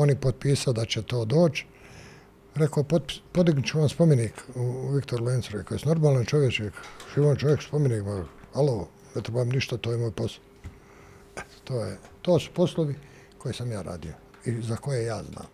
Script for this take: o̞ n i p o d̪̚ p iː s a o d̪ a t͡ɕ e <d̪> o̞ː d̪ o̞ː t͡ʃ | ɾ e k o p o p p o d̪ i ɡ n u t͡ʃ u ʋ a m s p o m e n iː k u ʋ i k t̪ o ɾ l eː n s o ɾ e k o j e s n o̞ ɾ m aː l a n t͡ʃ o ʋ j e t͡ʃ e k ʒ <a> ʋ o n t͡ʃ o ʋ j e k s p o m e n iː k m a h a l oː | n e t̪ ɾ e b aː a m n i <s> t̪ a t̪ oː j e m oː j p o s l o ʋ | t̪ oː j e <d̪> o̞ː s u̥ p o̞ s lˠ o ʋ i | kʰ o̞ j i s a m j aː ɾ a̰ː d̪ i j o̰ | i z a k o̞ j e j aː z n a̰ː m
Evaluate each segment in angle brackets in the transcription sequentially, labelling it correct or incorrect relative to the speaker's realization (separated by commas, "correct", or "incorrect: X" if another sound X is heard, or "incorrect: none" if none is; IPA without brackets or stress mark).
incorrect: t̪, incorrect: i, incorrect: ʃ, incorrect: t̪